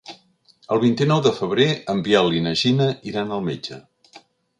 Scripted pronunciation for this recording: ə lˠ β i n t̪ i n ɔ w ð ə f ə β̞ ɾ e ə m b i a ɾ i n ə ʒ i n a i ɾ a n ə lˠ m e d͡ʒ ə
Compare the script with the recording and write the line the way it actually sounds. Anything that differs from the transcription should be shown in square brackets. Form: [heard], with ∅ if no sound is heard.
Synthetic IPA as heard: ə lˠ β i n t̪ i n ɔ w ð ə f ə β̞ ɾ e ə m b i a [l] i n ə ʒ i n [ə] i ɾ a n ə lˠ m e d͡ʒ ə